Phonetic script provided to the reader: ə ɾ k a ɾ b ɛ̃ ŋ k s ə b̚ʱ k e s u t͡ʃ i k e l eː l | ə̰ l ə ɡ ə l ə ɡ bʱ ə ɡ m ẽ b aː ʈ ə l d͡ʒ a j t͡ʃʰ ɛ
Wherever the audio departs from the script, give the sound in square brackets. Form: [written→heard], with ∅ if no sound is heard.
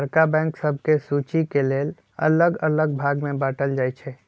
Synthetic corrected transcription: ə ɾ k a [ɾ→∅] b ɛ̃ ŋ k s ə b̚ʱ k e s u t͡ʃ i k e l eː l | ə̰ l ə ɡ ə l ə ɡ bʱ [ə→a] ɡ m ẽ b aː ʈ ə l d͡ʒ a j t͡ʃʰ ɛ